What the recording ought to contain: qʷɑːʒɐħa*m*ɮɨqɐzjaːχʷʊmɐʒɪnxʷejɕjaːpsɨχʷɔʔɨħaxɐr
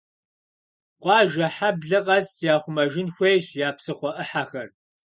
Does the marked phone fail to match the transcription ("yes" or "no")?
yes